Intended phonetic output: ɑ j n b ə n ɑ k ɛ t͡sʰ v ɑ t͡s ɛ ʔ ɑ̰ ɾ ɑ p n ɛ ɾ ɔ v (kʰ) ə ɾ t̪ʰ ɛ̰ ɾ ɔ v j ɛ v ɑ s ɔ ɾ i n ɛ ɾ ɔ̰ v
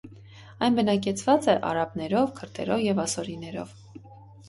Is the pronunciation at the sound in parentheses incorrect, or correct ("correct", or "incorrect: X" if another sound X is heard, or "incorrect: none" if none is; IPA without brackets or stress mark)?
correct